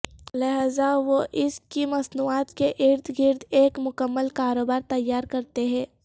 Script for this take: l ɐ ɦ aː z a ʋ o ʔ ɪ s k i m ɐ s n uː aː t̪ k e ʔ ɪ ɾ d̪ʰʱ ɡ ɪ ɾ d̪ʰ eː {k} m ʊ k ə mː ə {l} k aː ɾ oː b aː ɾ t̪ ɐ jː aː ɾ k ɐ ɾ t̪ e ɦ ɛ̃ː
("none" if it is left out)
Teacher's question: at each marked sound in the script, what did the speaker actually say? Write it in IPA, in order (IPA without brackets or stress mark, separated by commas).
k, l